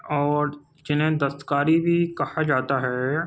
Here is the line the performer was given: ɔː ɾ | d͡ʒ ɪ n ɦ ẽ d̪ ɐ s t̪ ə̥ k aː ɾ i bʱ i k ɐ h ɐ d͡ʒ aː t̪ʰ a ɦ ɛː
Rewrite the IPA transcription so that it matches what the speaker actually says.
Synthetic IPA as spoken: ɔː ɾ | d͡ʒ ɪ n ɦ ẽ d̪ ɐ s t̪ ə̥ k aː ɾ i bʱ i k ɐ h a d͡ʒ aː t̪ a ɦ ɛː

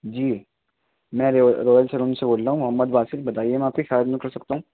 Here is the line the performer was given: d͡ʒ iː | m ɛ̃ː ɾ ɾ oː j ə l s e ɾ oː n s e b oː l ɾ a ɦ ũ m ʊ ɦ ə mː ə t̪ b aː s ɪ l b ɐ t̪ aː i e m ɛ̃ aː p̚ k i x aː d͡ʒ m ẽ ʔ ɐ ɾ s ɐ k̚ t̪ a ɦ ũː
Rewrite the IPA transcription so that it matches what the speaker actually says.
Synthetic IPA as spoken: d͡ʒ iː | m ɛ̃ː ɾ ɾ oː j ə l s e ɾ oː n s e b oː l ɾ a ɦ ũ m ʊ ɦ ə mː ə d̪ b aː s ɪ l b ɐ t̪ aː i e m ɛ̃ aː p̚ k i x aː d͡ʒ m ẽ k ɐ ɾ s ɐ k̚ t̪ a ɦ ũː

